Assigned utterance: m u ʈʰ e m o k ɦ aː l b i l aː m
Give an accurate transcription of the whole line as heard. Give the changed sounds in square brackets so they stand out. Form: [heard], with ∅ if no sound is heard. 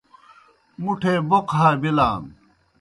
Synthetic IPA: m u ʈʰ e [b] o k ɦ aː [∅] b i l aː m